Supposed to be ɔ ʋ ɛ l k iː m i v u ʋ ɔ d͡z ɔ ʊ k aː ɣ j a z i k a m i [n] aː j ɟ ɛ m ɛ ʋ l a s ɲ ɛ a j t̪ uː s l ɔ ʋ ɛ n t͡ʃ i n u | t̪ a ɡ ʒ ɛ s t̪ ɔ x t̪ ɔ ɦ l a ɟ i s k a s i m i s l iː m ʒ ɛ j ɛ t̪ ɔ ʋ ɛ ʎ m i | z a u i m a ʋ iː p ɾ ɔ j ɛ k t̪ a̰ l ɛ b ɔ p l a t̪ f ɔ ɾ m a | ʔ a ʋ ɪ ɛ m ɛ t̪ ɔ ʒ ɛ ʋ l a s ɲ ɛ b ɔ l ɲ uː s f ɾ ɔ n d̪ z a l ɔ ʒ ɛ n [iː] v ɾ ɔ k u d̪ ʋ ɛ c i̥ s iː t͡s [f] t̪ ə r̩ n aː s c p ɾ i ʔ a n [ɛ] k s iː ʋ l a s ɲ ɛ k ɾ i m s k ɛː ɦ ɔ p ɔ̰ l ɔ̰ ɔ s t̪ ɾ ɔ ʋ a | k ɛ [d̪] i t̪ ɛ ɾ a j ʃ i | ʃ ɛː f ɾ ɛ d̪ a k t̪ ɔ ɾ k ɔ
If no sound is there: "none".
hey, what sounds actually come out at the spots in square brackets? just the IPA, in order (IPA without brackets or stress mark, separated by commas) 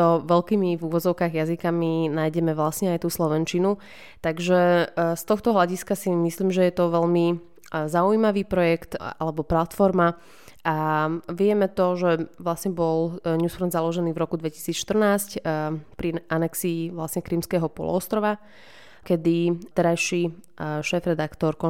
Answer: n, iː, ʃ, ɛ, d̪